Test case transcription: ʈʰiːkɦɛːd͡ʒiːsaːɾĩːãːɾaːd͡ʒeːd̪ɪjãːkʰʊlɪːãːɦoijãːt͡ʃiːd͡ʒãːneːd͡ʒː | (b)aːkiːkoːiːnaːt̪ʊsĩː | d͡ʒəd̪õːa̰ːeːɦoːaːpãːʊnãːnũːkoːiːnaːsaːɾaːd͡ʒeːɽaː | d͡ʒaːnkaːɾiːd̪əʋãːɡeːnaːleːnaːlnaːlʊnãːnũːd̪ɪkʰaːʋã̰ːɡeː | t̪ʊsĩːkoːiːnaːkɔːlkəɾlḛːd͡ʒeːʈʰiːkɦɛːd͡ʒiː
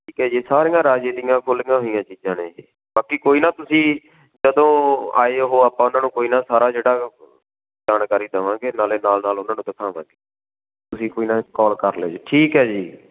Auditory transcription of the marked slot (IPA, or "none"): b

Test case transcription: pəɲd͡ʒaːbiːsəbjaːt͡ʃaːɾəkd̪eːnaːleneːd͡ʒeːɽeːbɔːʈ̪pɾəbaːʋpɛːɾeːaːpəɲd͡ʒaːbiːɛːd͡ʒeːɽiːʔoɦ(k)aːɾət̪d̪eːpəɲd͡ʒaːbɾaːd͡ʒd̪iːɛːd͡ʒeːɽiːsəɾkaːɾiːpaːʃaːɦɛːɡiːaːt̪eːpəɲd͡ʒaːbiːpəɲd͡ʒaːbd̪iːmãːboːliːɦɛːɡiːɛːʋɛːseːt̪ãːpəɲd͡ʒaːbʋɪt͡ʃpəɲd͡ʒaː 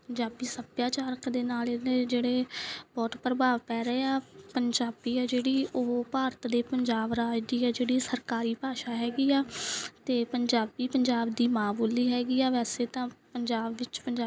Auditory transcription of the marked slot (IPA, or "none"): p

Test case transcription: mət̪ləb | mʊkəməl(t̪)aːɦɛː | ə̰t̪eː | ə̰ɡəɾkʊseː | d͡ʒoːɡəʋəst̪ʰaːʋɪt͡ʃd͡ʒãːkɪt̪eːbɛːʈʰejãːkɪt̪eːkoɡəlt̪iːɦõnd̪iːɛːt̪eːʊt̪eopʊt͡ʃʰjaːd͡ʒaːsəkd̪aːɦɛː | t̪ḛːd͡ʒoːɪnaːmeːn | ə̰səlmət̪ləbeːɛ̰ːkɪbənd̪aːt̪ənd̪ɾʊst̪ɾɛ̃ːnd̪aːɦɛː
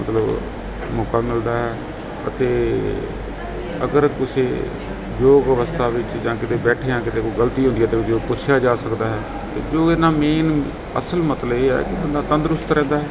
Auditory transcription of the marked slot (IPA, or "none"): d̪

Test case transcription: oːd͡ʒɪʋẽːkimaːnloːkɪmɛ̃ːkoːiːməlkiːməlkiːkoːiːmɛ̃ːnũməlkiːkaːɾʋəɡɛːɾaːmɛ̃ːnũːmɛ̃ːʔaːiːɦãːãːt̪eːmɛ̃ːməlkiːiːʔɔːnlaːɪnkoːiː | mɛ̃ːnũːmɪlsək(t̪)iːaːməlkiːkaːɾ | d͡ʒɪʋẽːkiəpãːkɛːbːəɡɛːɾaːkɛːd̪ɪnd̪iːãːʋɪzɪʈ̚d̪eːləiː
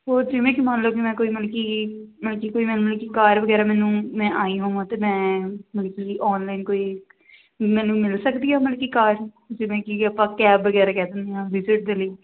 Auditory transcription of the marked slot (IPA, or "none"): d̪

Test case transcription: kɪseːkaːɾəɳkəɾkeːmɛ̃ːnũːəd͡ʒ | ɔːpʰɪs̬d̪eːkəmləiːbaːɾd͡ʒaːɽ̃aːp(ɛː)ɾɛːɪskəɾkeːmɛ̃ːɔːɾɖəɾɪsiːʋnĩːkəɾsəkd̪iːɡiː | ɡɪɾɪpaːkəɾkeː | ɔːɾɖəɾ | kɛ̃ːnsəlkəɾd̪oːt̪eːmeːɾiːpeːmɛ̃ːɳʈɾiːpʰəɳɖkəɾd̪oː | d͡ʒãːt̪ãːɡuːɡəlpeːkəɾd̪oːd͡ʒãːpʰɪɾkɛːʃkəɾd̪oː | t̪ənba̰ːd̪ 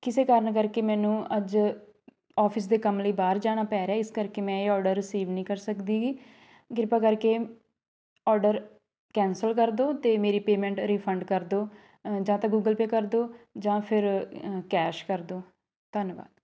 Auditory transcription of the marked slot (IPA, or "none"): ɛː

